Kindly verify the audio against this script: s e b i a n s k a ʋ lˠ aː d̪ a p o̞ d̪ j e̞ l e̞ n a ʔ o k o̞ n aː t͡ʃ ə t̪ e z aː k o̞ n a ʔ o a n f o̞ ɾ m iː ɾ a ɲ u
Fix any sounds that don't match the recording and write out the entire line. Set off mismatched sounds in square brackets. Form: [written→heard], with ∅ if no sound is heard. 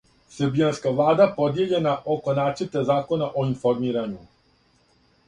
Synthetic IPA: s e b i a n s k a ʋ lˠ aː d̪ a p o̞ d̪ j e̞ [l→ʎ] e̞ n a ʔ o k o̞ n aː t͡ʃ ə t̪ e z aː k o̞ n a ʔ o [a→i] n f o̞ ɾ m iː ɾ a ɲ u